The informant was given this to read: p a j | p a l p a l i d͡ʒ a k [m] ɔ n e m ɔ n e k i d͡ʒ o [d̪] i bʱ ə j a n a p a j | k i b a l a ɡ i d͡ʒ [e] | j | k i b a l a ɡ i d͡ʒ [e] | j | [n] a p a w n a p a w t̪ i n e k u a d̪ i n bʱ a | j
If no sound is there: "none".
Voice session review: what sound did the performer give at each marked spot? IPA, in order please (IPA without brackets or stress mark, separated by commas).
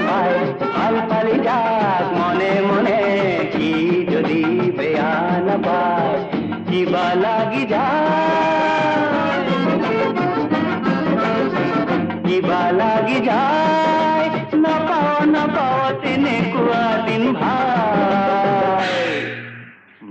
m, d̪, a, a, n